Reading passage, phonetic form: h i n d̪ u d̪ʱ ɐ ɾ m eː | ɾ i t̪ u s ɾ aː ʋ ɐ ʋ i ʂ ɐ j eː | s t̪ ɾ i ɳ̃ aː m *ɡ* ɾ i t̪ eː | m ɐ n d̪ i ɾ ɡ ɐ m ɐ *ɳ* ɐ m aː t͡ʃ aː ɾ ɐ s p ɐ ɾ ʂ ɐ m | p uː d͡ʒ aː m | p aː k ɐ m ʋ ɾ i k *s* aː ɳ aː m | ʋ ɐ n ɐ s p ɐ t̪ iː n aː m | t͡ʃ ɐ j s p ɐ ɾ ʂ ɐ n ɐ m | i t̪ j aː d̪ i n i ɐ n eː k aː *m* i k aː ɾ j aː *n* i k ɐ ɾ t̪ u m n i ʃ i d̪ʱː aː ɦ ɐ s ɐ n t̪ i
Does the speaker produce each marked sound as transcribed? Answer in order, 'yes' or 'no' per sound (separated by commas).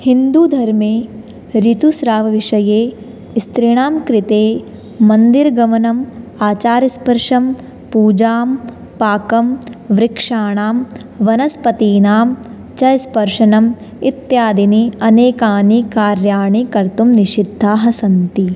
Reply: no, no, no, no, no